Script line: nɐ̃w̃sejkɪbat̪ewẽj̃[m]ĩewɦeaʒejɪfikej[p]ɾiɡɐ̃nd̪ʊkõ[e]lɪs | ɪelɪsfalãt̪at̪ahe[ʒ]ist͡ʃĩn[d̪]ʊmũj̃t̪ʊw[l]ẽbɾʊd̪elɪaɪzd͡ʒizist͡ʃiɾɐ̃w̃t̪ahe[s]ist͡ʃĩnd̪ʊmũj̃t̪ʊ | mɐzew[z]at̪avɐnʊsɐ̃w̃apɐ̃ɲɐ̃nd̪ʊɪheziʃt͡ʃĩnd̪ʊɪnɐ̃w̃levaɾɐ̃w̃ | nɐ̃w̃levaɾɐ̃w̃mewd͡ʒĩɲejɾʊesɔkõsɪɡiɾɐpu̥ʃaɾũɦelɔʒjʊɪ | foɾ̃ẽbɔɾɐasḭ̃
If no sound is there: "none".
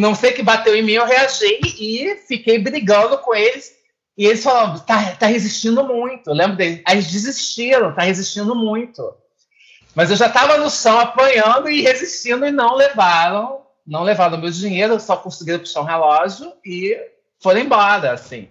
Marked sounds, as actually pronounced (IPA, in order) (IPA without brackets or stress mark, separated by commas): m, b, e, z, d̪, l, z, ʒ